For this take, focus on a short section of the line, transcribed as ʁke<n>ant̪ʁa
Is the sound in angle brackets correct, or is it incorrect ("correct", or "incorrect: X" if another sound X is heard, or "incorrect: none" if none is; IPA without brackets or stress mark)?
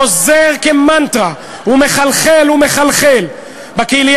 incorrect: m